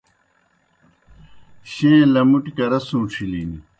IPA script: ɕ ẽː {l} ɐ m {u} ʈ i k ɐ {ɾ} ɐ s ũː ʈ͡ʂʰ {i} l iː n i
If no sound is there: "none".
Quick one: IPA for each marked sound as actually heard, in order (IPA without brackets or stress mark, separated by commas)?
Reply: l, u, ɾ, i